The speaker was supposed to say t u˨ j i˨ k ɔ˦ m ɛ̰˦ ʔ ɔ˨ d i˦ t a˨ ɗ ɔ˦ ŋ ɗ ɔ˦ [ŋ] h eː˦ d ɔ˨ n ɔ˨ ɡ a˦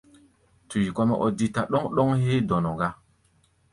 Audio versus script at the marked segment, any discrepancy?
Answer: no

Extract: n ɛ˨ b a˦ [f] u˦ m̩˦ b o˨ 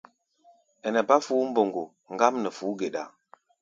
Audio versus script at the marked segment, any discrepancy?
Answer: no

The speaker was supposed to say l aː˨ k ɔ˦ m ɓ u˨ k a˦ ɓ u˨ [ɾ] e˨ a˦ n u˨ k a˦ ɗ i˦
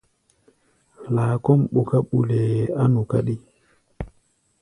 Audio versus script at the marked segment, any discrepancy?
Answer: yes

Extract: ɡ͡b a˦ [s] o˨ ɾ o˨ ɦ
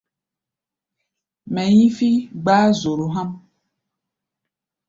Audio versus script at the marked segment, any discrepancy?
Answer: yes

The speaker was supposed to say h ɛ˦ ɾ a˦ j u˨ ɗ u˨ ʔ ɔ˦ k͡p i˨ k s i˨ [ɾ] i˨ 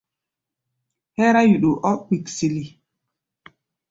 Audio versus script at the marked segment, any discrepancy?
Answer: yes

